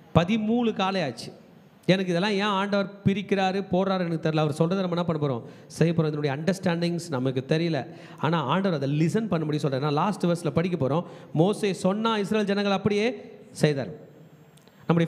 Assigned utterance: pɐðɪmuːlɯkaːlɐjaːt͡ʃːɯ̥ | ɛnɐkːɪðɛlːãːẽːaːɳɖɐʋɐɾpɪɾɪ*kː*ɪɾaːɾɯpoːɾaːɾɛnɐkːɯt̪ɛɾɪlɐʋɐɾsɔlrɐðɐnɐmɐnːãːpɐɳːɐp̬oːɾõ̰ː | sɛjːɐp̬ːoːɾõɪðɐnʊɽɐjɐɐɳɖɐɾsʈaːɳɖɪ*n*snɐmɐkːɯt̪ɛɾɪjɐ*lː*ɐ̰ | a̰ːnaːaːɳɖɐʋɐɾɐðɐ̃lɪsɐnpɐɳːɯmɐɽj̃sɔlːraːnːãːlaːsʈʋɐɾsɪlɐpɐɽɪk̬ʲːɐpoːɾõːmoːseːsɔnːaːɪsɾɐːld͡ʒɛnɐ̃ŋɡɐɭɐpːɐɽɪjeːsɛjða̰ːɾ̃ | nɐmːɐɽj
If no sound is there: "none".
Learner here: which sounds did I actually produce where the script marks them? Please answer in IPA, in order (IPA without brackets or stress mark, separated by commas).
kː, ŋ, l